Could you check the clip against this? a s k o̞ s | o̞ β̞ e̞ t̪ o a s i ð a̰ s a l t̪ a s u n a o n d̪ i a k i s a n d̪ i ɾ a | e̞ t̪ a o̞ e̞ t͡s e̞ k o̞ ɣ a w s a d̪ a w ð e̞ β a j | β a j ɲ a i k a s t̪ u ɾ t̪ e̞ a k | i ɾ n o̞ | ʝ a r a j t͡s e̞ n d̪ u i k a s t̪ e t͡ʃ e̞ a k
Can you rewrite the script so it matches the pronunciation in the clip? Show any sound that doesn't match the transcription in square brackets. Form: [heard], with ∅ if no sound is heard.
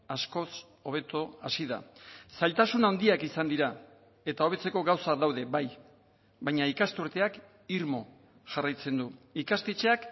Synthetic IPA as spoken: a s k o̞ s | o̞ β̞ e̞ t̪ o a s i ð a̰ s a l t̪ a s u n a o n d̪ i a k i s a n d̪ i ɾ a | e̞ t̪ a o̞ e̞ t͡s e̞ k o̞ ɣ a w s a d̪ a w ð e̞ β a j | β a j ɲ a i k a s t̪ u ɾ t̪ e̞ a k | i ɾ [m] o̞ | ʝ a r a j t͡s e̞ n d̪ u i k a s t̪ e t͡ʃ e̞ a k

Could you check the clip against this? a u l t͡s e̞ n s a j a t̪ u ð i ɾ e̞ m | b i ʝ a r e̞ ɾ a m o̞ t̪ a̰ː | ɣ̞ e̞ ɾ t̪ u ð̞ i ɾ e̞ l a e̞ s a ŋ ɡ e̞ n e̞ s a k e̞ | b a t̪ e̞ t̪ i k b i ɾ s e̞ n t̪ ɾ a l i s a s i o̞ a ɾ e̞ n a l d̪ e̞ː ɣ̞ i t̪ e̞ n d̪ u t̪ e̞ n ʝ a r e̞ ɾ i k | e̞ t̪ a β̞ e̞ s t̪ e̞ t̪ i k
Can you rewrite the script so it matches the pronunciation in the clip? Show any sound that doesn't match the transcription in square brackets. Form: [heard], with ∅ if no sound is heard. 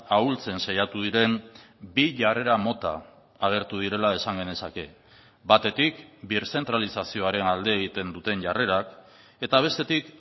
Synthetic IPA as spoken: a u l t͡s e̞ n s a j a t̪ u ð i ɾ e̞ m | b i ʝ a r e̞ ɾ a m o̞ t̪ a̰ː | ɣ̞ e̞ ɾ t̪ u ð̞ i ɾ e̞ l a e̞ s a ŋ ɡ e̞ n e̞ s a k e̞ | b a t̪ e̞ t̪ i k b i ɾ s e̞ n t̪ ɾ a l i s a s i o̞ a ɾ e̞ n a l d̪ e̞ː ɣ̞ i t̪ e̞ n d̪ u t̪ e̞ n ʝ a r e̞ ɾ [a] k | e̞ t̪ a β̞ e̞ s t̪ e̞ t̪ i k

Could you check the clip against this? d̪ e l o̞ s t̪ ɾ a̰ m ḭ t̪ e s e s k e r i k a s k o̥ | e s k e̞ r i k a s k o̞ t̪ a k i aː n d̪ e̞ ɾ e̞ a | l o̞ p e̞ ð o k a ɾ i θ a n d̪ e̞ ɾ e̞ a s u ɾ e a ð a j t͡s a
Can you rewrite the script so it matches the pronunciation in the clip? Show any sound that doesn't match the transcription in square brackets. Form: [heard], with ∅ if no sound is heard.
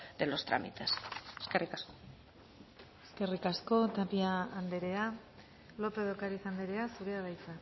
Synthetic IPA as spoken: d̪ e l o̞ s t̪ ɾ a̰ m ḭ t̪ e s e s k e r i k a s k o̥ | e s k e̞ r i k a s k o̞ t̪ a [p] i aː n d̪ e̞ ɾ e̞ a | l o̞ p e̞ ð o k a ɾ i θ a n d̪ e̞ ɾ e̞ a s u ɾ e a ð a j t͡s a

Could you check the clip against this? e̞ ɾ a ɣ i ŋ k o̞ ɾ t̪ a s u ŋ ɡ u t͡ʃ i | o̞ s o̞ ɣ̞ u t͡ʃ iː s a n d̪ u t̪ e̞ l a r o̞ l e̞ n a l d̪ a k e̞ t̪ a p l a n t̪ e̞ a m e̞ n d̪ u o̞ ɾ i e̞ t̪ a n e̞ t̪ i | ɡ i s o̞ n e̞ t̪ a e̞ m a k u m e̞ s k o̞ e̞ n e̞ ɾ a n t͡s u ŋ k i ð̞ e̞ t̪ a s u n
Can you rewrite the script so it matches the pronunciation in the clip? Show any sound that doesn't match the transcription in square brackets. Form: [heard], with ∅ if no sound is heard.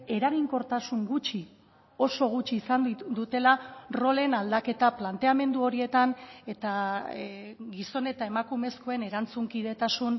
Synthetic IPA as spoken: e̞ ɾ a ɣ i ŋ k o̞ ɾ t̪ a s u ŋ ɡ u t͡ʃ i | o̞ s o̞ ɣ̞ u t͡ʃ iː s a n d̪ u t̪ e̞ l a r o̞ l e̞ n a l d̪ a k e̞ t̪ a p l a n t̪ e̞ a m e̞ n d̪ u o̞ ɾ i e̞ t̪ a n e̞ t̪ [a] | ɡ i s o̞ n e̞ t̪ a e̞ m a k u m e̞ s k o̞ e̞ n e̞ ɾ a n t͡s u ŋ k i ð̞ e̞ t̪ a s u n

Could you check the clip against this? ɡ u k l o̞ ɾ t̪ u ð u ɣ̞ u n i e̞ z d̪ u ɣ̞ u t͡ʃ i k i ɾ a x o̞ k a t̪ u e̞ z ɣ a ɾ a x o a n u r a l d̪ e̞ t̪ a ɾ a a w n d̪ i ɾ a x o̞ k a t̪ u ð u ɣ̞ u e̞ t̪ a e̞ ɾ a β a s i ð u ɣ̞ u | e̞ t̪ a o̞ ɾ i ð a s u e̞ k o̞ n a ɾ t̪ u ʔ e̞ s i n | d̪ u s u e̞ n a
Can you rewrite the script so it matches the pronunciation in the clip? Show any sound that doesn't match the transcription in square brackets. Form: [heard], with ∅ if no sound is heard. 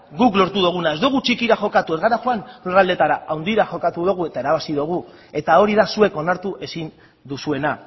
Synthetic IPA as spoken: ɡ u k l o̞ ɾ t̪ u ð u ɣ̞ u n [a] e̞ z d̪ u ɣ̞ u t͡ʃ i k i ɾ a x o̞ k a t̪ u e̞ z ɣ a ɾ a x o a n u r a l d̪ e̞ t̪ a ɾ a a w n d̪ i ɾ a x o̞ k a t̪ u ð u ɣ̞ u e̞ t̪ a e̞ ɾ a β a s i ð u ɣ̞ u | e̞ t̪ a o̞ ɾ i ð a s u e̞ k o̞ n a ɾ t̪ u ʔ e̞ s i n | d̪ u s u e̞ n a

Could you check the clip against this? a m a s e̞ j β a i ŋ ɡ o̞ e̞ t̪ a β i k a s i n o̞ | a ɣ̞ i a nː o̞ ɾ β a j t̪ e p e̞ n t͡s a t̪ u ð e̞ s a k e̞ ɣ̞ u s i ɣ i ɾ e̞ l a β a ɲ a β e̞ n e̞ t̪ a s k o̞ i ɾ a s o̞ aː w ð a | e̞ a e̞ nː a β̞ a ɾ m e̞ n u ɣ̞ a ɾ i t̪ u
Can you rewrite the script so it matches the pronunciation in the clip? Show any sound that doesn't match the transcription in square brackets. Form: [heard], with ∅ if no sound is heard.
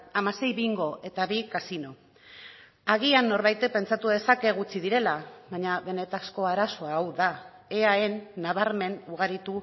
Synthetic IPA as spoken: a m a s e̞ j β [i] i ŋ ɡ o̞ e̞ t̪ a β i k a s i n o̞ | a ɣ̞ i a nː o̞ ɾ β a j t̪ e p e̞ n t͡s a t̪ u ð e̞ s a k e̞ ɣ̞ u [t͡s] i [ð] i ɾ e̞ l a β a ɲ a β e̞ n e̞ t̪ a s k o̞ [a] ɾ a s o̞ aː w ð a | e̞ a e̞ nː a β̞ a ɾ m e̞ n u ɣ̞ a ɾ i t̪ u

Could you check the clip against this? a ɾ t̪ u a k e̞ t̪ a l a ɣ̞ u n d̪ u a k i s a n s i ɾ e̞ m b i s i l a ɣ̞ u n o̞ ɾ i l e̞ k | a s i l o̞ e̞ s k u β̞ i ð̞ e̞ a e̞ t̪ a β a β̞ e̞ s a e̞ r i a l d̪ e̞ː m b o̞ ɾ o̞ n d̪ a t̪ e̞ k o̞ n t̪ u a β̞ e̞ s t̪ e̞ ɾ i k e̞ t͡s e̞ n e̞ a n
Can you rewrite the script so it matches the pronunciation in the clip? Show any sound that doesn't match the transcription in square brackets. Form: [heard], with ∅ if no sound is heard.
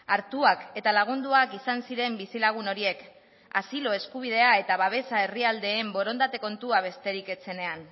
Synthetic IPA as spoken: a ɾ t̪ u a k e̞ t̪ a l a ɣ̞ u n d̪ u a k i s a n s i ɾ e̞ m b i s i l a ɣ̞ u n o̞ ɾ i [∅] e̞ k | a s i l o̞ e̞ s k u β̞ i ð̞ e̞ a e̞ t̪ a β a β̞ e̞ s a e̞ r i a l d̪ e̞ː m b o̞ ɾ o̞ n d̪ a t̪ e̞ k o̞ n t̪ u a β̞ e̞ s t̪ e̞ ɾ i k e̞ t͡s e̞ n e̞ a n

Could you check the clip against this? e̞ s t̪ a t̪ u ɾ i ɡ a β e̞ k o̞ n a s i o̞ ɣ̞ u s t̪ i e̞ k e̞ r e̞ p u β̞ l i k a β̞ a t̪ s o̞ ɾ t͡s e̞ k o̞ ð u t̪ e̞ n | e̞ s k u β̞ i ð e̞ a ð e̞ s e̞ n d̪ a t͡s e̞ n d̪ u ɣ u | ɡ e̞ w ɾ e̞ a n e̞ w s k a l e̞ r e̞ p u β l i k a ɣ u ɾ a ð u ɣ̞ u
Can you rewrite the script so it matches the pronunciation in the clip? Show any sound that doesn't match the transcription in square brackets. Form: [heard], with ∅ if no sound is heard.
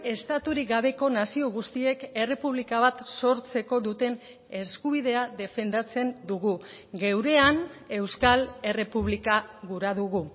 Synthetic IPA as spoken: e̞ s t̪ a t̪ u ɾ i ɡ a β e̞ k o̞ n a s i o̞ ɣ̞ u s t̪ i e̞ k e̞ r e̞ p u β̞ l i k a β̞ a t̪ s o̞ ɾ t͡s e̞ k o̞ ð u t̪ e̞ n | e̞ s k u β̞ i ð e̞ a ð e̞ [f] e̞ n d̪ a t͡s e̞ n d̪ u ɣ u | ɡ e̞ w ɾ e̞ a n e̞ w s k a l e̞ r e̞ p u β l i k a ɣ u ɾ a ð u ɣ̞ u

